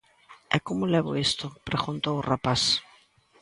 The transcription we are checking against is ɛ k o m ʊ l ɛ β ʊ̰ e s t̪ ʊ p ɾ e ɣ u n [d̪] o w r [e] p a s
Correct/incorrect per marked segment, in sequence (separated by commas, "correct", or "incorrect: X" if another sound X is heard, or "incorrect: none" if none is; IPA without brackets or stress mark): incorrect: t̪, incorrect: a